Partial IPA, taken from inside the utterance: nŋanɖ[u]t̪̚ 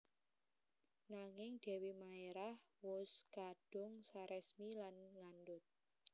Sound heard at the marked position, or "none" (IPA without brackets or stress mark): ʊ